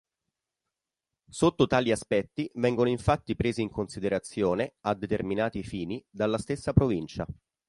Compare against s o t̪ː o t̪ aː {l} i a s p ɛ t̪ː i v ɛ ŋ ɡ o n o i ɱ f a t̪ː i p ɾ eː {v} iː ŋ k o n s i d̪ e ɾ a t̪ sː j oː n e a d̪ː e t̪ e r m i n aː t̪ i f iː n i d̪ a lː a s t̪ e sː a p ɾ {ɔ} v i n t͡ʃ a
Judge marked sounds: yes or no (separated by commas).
yes, no, no